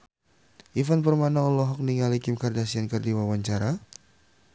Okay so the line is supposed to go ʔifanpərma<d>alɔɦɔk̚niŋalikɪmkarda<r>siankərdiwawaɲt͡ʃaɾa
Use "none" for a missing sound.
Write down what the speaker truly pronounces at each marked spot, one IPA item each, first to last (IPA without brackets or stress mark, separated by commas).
n, none